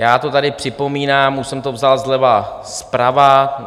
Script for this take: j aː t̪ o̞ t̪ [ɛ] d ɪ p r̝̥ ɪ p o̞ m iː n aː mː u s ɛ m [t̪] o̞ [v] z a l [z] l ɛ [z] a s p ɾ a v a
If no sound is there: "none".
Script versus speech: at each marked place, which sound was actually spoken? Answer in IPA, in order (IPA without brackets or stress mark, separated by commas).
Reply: a, t̪, v, z, v